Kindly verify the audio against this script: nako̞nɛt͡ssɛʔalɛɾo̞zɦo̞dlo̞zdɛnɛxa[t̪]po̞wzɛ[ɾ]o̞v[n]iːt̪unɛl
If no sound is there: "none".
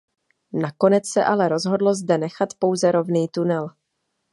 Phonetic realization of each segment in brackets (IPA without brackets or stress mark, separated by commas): t̪, ɾ, n